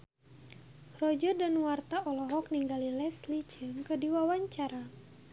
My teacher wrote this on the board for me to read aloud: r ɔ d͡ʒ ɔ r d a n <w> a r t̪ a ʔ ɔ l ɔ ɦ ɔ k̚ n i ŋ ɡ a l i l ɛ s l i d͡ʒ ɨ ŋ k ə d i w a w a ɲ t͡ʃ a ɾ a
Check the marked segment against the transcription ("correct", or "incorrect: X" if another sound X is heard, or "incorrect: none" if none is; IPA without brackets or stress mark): correct